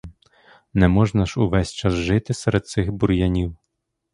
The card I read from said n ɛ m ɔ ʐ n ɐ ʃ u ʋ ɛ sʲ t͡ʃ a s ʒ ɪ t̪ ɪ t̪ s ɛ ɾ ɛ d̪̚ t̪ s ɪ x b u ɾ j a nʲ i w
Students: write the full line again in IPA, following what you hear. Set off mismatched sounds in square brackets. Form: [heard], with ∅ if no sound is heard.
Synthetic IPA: n ɛ m ɔ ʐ n ɐ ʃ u ʋ ɛ sʲ t͡ʃ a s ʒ ɪ t̪ ɪ [∅] s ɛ ɾ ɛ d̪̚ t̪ s ɪ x b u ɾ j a nʲ i w